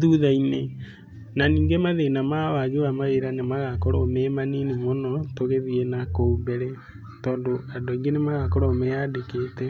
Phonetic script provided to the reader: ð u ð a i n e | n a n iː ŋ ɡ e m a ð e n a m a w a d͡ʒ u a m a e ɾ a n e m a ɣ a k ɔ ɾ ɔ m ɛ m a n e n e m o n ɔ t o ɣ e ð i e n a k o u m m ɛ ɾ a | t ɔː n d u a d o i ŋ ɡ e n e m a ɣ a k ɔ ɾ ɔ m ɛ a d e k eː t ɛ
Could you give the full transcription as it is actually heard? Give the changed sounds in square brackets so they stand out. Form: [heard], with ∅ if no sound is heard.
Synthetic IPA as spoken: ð u ð a i n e | n a n iː ŋ ɡ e m a ð e n a m a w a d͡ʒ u a m a e ɾ a n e m a ɣ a k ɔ ɾ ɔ m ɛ m a n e n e m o n ɔ t o ɣ e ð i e n a k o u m [b] ɛ ɾ [ɛ] | t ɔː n d [o] a d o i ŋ ɡ e n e m a ɣ a k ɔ ɾ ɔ m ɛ a d e k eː t ɛ